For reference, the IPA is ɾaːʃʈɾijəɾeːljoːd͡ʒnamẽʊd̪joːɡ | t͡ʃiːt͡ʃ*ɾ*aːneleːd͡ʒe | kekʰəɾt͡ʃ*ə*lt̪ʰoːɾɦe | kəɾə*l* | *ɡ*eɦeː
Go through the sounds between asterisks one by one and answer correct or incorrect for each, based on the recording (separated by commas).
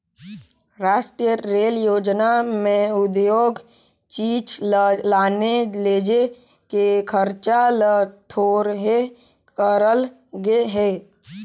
incorrect, incorrect, correct, correct